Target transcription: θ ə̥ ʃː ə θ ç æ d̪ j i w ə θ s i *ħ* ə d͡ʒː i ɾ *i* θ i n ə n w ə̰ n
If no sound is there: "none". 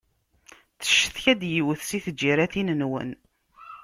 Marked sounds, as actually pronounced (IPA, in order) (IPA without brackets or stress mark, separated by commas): θ, æ